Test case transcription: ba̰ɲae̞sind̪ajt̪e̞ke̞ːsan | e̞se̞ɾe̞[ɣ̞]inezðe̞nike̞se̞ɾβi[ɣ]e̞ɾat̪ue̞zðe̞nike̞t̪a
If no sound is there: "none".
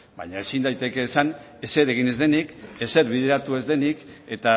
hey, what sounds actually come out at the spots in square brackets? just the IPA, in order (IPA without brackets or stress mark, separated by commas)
ɣ̞, ð